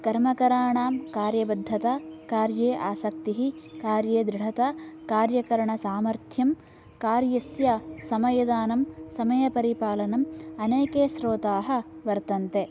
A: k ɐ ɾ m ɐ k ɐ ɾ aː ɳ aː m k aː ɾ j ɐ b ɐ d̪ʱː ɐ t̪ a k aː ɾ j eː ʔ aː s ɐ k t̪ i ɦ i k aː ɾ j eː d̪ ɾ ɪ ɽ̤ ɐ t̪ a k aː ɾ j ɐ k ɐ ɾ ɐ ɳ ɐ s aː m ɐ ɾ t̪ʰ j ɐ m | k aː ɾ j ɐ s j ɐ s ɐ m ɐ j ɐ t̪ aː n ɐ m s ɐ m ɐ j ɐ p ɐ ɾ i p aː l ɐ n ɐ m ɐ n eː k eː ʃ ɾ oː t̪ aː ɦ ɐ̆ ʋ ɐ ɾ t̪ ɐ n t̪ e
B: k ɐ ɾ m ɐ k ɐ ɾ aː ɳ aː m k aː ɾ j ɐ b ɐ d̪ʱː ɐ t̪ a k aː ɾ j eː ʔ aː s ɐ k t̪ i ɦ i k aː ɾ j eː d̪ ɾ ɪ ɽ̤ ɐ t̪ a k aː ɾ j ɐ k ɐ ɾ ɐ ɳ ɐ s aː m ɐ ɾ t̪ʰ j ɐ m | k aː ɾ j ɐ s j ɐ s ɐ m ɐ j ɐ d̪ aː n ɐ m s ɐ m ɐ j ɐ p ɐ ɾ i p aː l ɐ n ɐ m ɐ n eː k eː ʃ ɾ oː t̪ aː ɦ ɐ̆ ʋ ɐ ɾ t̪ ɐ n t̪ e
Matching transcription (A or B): B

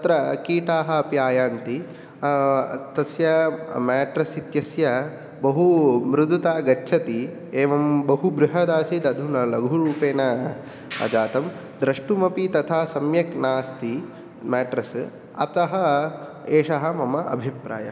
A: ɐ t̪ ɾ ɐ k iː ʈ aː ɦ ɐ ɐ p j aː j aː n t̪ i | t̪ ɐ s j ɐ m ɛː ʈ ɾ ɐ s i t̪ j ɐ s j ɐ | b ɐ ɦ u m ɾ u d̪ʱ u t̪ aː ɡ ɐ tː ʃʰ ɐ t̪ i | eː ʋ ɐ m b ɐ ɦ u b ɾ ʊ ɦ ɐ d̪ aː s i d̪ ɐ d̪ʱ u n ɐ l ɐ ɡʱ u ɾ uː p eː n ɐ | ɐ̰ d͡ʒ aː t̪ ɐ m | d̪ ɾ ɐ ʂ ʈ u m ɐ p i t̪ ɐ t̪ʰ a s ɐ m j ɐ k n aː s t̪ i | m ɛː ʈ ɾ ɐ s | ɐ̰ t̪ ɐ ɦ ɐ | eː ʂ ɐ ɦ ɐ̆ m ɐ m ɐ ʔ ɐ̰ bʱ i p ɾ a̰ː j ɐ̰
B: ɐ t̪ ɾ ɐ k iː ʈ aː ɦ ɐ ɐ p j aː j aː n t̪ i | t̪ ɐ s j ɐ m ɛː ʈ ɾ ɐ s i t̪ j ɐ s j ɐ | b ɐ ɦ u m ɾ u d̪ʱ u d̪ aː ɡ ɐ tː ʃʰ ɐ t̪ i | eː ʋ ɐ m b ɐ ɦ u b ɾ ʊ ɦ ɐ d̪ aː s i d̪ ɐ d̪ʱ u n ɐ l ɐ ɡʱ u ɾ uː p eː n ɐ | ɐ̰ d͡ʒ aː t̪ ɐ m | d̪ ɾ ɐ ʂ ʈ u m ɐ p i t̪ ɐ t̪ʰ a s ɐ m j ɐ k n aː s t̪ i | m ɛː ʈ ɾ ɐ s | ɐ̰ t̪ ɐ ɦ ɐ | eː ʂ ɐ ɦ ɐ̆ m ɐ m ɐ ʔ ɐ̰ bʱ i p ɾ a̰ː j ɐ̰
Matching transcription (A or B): A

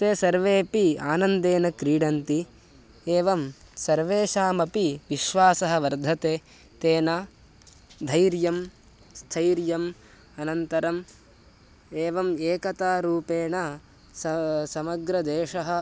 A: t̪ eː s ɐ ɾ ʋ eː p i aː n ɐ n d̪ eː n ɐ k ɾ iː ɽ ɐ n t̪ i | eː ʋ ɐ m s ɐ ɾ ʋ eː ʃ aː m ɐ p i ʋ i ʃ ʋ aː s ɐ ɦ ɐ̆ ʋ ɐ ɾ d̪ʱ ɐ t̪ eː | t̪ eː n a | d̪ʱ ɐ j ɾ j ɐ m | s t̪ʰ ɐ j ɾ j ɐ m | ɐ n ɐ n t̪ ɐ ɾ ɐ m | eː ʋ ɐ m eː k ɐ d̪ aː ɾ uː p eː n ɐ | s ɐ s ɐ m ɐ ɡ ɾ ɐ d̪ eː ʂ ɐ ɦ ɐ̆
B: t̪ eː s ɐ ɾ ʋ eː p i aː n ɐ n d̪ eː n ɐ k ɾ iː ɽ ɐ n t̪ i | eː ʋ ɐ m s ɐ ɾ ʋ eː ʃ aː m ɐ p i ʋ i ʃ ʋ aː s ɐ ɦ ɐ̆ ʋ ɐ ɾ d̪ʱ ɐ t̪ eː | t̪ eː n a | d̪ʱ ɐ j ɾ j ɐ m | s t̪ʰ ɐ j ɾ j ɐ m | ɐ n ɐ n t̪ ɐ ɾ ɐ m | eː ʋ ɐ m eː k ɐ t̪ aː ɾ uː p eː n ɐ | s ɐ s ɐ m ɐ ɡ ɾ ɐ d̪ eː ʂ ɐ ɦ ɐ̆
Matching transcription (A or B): B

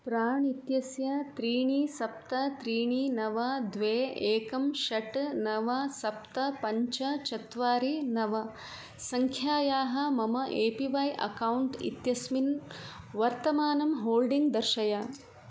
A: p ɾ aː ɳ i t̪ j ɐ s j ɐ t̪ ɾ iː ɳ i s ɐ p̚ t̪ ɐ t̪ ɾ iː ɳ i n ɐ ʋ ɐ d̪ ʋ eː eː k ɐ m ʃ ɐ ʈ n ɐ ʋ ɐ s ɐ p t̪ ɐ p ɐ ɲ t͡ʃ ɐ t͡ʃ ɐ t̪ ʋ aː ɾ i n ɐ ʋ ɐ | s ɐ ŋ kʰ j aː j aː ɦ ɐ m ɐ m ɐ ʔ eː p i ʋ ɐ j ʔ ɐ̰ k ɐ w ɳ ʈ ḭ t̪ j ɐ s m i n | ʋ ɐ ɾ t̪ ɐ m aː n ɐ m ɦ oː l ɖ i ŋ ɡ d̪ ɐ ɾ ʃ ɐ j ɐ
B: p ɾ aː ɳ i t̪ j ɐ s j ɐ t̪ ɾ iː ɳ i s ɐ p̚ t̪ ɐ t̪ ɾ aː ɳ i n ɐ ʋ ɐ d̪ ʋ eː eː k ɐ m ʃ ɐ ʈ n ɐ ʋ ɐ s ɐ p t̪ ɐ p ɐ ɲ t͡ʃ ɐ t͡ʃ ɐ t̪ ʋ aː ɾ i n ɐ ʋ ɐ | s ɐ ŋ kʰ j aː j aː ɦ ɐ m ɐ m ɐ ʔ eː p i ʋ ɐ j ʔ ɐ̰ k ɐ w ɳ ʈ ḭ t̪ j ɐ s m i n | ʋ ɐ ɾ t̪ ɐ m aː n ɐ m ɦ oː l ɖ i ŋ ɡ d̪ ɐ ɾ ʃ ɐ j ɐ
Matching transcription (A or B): A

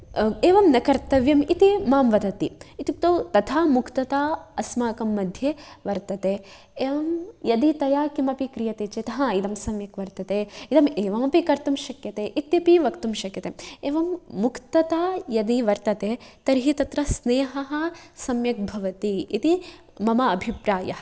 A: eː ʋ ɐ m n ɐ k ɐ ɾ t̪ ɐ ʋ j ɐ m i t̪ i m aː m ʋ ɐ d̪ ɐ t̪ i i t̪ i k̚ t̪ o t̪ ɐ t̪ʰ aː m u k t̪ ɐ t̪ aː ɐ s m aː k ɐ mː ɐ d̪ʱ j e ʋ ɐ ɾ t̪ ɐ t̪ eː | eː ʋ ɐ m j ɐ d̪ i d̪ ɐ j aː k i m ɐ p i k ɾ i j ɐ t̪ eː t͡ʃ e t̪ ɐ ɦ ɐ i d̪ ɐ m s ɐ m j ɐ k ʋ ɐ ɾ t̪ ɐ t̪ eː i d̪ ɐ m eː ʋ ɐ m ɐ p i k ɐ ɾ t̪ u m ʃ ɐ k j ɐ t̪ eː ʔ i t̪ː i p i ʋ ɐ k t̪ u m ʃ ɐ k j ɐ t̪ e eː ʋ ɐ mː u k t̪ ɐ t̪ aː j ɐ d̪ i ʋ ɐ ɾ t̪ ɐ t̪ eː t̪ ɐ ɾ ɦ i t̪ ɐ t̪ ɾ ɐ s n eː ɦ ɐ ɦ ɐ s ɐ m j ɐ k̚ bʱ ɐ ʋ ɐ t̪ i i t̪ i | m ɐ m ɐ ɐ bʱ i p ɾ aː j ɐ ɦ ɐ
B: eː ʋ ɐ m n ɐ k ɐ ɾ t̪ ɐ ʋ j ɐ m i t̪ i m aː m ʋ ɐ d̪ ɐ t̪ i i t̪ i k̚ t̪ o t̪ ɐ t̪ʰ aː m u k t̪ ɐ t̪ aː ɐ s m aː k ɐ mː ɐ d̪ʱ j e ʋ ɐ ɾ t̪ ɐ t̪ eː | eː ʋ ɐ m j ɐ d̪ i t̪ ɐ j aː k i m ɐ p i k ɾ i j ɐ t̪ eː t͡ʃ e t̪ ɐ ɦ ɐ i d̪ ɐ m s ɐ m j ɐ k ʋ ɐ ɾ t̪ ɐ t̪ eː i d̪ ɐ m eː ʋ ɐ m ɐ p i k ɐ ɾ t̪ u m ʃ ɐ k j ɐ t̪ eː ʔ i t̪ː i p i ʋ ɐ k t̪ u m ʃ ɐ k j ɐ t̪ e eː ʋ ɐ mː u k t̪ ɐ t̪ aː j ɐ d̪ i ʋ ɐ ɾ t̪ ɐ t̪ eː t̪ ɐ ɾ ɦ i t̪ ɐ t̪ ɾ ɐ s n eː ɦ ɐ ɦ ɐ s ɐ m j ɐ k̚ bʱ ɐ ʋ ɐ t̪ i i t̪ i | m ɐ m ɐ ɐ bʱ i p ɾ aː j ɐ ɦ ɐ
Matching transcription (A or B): B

